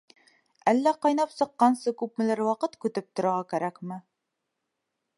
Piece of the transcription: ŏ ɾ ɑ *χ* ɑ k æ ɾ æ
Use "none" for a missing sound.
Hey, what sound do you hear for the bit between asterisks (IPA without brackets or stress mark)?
ʁ